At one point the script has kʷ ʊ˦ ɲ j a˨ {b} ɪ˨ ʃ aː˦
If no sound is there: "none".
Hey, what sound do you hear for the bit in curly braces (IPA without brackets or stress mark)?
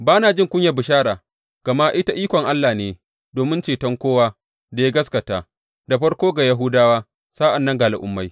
b